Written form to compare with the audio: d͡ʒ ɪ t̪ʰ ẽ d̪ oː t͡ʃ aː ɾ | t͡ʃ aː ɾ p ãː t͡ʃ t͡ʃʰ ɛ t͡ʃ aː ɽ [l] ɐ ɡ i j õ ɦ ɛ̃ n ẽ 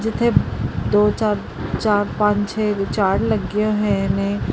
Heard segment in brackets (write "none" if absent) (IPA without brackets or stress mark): l